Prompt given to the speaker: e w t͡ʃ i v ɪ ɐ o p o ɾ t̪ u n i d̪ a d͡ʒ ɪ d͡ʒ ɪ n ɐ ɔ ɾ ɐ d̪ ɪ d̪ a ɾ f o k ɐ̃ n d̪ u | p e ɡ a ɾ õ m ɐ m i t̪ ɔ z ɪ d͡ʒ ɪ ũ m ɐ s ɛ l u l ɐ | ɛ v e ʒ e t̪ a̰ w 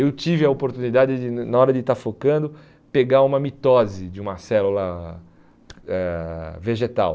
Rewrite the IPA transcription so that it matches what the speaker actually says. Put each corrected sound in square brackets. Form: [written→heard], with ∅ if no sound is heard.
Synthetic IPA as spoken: e w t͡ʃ i v ɪ ɐ o p o ɾ t̪ u n i d̪ a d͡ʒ ɪ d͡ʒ ɪ n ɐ ɔ ɾ ɐ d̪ ɪ [d̪→t̪] a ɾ f o k ɐ̃ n d̪ [u→ʊ] | p e ɡ a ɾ [õ→ũ] m ɐ m i t̪ ɔ z ɪ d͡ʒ ɪ ũ m ɐ s ɛ l u l ɐ | ɛ v e ʒ e t̪ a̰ w

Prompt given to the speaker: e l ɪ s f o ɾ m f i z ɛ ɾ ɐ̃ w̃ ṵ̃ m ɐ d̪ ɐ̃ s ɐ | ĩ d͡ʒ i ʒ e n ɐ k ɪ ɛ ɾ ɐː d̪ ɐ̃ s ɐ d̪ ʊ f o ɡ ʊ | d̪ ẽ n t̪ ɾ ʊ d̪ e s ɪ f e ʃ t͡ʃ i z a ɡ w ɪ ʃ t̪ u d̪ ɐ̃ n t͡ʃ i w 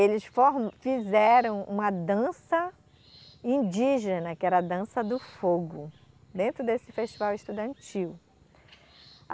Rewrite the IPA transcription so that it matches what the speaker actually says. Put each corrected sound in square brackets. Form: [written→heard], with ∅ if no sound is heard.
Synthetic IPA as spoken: e l ɪ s f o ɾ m f i z ɛ ɾ ɐ̃ w̃ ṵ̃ m ɐ d̪ ɐ̃ s ɐ | ĩ d͡ʒ i ʒ e n ɐ k ɪ ɛ ɾ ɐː d̪ ɐ̃ s ɐ d̪ ʊ f o ɡ ʊ | d̪ ẽ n t̪ ɾ ʊ d̪ e s ɪ f e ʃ t͡ʃ i [z→v] a [ɡ→∅] w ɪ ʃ t̪ u d̪ ɐ̃ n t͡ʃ i w

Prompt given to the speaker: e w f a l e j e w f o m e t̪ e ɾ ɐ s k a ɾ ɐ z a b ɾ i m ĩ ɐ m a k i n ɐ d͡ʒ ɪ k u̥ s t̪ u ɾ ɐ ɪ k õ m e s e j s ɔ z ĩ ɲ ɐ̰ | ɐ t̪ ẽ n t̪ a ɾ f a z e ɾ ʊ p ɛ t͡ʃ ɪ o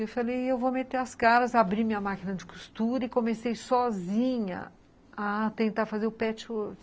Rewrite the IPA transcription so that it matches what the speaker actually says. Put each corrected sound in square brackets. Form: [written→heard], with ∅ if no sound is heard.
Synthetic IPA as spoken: e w f a l e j e w [f→v] o m e t̪ e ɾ ɐ s k a ɾ ɐ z a b ɾ i m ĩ ɐ m a k i n ɐ d͡ʒ ɪ k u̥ s t̪ u ɾ ɐ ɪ k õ m e s e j s ɔ z ĩ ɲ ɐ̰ | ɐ t̪ ẽ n t̪ a ɾ f a z e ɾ ʊ p ɛ t͡ʃ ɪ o

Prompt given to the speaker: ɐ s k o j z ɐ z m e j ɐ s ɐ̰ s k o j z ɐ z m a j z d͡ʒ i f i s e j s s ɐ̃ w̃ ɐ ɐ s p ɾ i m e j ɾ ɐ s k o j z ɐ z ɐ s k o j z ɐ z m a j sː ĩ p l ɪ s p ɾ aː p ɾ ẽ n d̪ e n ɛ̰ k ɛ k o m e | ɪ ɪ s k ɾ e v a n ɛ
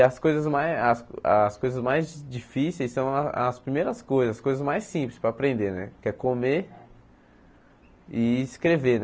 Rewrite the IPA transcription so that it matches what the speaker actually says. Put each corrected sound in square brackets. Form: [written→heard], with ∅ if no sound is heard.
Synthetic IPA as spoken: ɐ s k o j z ɐ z m [e→a] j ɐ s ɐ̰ s k o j z ɐ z m a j z d͡ʒ i f i s e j s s ɐ̃ w̃ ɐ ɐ s p ɾ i m e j ɾ ɐ s k o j z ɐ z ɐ s k o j z ɐ z m a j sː ĩ p l ɪ s p ɾ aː p ɾ ẽ n d̪ e n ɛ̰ k ɛ k o m e | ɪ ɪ s k ɾ e v [a→e] n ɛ

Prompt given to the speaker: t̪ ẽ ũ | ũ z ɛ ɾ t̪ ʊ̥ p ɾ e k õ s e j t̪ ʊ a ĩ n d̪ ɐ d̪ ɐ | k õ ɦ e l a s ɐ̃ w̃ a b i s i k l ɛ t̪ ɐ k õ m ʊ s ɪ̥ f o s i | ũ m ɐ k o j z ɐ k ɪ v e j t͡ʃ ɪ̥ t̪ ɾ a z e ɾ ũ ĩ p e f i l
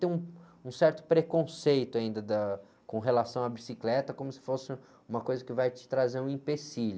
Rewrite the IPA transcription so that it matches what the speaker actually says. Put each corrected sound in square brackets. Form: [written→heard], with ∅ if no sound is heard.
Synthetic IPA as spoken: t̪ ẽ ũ | ũ [z→s] ɛ ɾ t̪ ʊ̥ p ɾ e k õ s e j t̪ ʊ a ĩ n d̪ ɐ d̪ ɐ | k õ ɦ e l a s ɐ̃ w̃ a b i s i k l ɛ t̪ ɐ k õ m ʊ s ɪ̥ f o s [i→ɪ] | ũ m ɐ k o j z ɐ k ɪ v [e→a] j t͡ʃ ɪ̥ t̪ ɾ a z e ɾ ũ ĩ p e [f→s] i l

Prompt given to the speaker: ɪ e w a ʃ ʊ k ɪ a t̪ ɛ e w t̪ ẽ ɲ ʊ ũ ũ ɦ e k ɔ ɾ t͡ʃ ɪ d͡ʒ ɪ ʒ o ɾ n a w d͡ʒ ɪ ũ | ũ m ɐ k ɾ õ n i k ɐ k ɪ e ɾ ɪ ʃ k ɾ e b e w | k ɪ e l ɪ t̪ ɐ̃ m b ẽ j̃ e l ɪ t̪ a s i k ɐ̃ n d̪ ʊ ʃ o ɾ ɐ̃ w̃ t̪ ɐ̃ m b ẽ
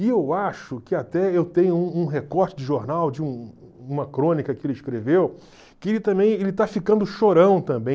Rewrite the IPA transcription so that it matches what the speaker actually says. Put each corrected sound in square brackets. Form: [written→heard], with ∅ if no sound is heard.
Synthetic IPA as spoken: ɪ e w a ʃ ʊ k ɪ a t̪ ɛ e w t̪ ẽ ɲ ʊ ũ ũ ɦ e k ɔ ɾ t͡ʃ ɪ d͡ʒ ɪ ʒ o ɾ n a w d͡ʒ ɪ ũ | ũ m ɐ k ɾ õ n i k ɐ k ɪ e [ɾ→l] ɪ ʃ k ɾ e [b→v] e w | k ɪ e l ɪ t̪ ɐ̃ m b ẽ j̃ e l ɪ t̪ a [s→f] i k ɐ̃ n d̪ ʊ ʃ o ɾ ɐ̃ w̃ t̪ ɐ̃ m b ẽ

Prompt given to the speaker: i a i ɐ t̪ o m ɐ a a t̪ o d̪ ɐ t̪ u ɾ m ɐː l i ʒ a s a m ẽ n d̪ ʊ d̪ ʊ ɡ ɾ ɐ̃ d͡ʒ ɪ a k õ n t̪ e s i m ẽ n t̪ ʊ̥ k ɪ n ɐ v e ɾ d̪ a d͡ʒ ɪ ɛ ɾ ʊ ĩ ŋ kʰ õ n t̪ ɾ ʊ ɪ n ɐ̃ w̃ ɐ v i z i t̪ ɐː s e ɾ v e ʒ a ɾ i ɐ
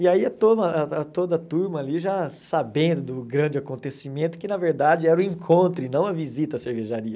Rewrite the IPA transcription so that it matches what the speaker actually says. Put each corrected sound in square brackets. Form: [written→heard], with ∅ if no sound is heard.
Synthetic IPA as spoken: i a i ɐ t̪ o m ɐ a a t̪ o d̪ ɐ t̪ u ɾ m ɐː l i ʒ a s a [m→b] ẽ n d̪ ʊ d̪ ʊ ɡ ɾ ɐ̃ d͡ʒ ɪ a k õ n t̪ e s i m ẽ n t̪ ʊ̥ k ɪ n ɐ v e ɾ d̪ a d͡ʒ ɪ ɛ ɾ ʊ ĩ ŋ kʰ õ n t̪ ɾ ʊ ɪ n ɐ̃ w̃ ɐ v i z i t̪ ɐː s e ɾ v e ʒ a ɾ i ɐ

